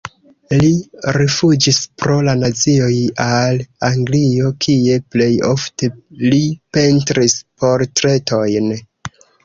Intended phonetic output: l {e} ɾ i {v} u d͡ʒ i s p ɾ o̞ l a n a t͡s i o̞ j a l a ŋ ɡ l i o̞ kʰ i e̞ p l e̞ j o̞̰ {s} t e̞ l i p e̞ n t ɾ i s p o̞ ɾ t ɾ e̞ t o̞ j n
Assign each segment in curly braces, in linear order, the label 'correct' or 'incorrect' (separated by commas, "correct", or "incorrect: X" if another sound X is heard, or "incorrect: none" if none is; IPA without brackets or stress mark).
incorrect: i, incorrect: f, incorrect: f